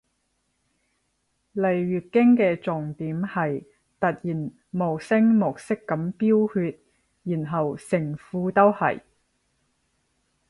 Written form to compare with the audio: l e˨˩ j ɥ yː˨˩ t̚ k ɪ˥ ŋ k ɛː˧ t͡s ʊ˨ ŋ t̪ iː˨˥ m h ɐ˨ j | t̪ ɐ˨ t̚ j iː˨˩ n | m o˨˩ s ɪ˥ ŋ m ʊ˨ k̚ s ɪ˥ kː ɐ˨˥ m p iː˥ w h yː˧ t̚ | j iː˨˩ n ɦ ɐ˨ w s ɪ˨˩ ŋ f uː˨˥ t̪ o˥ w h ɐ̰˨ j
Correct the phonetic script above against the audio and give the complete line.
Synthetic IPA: l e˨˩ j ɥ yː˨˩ t̚ k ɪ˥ ŋ k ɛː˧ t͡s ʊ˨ ŋ t̪ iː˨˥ m h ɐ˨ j | t̪ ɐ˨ t̚ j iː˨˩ n | m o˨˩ s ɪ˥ ŋ m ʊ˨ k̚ s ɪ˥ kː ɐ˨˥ m p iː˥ w h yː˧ t̚ | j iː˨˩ n ɦ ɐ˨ w s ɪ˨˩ ŋ f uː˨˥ t̪ o˥ w h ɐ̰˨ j

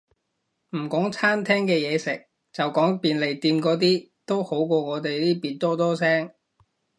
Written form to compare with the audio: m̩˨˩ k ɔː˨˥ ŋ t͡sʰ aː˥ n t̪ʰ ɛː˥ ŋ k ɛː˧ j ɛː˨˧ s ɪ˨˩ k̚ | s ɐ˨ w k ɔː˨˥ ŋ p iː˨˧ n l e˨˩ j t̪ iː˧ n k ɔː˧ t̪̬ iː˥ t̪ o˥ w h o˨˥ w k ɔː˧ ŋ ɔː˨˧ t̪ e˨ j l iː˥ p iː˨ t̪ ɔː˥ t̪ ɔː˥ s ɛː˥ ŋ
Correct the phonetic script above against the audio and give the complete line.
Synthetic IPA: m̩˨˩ k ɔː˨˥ ŋ t͡sʰ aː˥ n t̪ʰ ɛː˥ ŋ k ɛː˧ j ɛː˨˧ s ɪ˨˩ k̚ | t͡s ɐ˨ w k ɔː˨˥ ŋ p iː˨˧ n l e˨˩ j t̪ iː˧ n k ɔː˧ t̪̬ iː˥ t̪ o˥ w h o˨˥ w k ɔː˧ ŋ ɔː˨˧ t̪ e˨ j l iː˥ p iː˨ t̪ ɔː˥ t̪ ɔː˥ s ɛː˥ ŋ

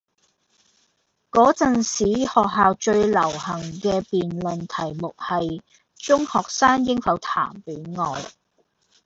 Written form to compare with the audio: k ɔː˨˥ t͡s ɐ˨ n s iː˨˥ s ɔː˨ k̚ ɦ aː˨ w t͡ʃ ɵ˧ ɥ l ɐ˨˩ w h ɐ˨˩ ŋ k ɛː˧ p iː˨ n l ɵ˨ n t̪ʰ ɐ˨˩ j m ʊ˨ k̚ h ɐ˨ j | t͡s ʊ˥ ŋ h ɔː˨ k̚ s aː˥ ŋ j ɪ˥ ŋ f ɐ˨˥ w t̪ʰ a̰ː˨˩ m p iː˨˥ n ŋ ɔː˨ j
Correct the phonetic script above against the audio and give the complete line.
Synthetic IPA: k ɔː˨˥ t͡s ɐ˨ n s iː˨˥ h ɔː˨ k̚ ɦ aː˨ w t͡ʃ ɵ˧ ɥ l ɐ˨˩ w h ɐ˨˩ ŋ k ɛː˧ p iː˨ n l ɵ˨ n t̪ʰ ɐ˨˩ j m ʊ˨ k̚ h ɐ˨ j | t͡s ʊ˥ ŋ h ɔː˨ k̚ s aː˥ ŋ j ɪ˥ ŋ f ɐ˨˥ w t̪ʰ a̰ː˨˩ m p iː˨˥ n ŋ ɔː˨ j

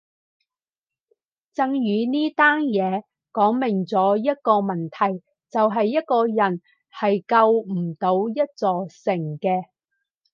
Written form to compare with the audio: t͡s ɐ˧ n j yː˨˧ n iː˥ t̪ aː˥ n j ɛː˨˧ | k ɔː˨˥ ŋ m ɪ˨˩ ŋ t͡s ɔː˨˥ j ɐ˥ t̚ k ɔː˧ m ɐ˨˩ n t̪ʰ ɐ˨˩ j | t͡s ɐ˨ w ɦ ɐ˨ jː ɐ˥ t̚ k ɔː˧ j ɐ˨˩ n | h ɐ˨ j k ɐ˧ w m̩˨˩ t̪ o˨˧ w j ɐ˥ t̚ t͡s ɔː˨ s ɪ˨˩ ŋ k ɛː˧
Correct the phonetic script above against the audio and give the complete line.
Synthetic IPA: t͡s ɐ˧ ŋ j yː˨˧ n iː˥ t̪ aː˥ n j ɛː˨˧ | k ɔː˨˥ ŋ m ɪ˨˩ ŋ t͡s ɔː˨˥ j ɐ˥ t̚ k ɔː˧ m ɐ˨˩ n t̪ʰ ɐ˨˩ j | t͡s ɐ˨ w ɦ ɐ˨ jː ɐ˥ t̚ k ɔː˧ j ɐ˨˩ n | h ɐ˨ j k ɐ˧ w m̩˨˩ t̪ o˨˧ w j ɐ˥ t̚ t͡s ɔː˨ s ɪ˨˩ ŋ k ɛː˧

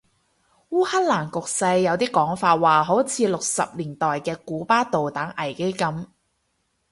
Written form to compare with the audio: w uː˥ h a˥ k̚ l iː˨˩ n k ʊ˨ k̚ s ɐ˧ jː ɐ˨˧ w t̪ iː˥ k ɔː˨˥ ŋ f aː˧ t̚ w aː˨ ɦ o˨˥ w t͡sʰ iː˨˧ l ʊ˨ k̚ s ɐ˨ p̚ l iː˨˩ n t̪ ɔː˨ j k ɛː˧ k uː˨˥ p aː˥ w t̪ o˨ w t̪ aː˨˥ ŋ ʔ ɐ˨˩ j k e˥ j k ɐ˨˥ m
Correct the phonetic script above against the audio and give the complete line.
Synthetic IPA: w uː˥ h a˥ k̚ l aː˨˩ n k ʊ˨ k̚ s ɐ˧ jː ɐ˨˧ w t̪ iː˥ k ɔː˨˥ ŋ f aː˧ t̚ w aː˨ ɦ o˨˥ w t͡sʰ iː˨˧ l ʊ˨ k̚ s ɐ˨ p̚ l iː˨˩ n t̪ ɔː˨ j k ɛː˧ k uː˨˥ p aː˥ t̪ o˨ w t̪ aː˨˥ ŋ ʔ ɐ˨˩ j k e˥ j k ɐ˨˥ m

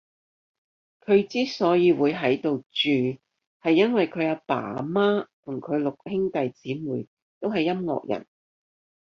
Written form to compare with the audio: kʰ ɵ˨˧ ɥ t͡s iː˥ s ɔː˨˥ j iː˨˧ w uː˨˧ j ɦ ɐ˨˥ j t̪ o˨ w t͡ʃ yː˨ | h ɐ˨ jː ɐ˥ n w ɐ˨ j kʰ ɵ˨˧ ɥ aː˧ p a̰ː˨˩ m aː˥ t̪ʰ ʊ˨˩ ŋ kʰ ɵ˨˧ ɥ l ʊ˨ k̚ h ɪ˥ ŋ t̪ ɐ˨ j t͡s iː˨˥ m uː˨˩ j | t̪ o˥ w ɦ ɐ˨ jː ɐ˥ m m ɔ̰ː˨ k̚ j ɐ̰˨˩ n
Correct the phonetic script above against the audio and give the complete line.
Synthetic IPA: kʰ ɵ˨˧ ɥ t͡s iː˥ s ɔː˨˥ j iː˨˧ w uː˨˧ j ɦ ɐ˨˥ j t̪ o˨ w t͡ʃ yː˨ | h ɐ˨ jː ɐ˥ n w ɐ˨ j kʰ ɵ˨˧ ɥ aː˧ p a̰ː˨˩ m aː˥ t̪ʰ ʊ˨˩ ŋ kʰ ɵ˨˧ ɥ l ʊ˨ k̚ h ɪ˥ ŋ t̪ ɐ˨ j t͡s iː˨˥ m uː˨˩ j | t̪ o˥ w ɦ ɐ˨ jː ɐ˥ m ŋ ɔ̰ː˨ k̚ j ɐ̰˨˩ n

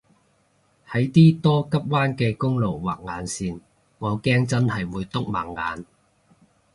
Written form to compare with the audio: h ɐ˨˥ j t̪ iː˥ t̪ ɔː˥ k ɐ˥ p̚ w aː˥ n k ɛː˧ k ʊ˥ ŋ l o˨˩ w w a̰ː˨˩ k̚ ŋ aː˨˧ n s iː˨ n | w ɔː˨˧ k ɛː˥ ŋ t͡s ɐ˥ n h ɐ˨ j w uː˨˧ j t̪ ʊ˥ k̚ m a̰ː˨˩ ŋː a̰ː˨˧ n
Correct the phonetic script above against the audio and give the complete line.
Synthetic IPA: h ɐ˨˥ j t̪ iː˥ t̪ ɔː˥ k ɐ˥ p̚ w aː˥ n k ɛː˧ k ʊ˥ ŋ l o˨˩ w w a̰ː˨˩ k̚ ŋ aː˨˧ n s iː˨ n | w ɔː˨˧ k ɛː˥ ŋ t͡s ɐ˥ n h ɐ˨ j w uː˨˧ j t̪ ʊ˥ k̚ m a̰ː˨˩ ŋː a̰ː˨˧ n

